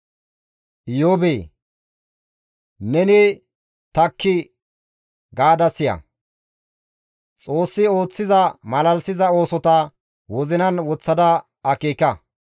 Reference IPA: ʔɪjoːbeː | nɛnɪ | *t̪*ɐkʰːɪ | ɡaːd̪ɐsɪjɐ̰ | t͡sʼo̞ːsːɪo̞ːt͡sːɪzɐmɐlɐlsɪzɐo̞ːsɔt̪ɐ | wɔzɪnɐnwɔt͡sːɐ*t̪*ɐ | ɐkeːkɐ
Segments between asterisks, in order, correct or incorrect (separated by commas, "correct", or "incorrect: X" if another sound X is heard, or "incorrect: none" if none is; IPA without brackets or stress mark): correct, incorrect: d̪